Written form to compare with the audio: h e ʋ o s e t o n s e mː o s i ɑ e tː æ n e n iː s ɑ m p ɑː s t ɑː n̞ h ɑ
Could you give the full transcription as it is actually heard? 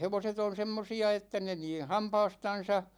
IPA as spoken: h e ʋ o s e t o n s e mː o s i ɑ e tː æ n e n iː h ɑ m p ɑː s t ɑ n̞ s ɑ